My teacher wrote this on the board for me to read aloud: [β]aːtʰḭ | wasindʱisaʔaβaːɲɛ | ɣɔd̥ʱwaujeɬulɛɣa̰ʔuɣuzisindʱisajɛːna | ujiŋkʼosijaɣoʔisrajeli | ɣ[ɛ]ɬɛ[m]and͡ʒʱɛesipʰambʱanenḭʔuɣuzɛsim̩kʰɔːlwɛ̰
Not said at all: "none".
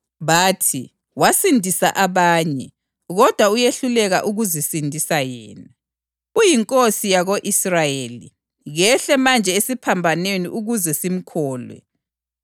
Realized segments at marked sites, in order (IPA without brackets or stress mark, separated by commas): β, ɛ, m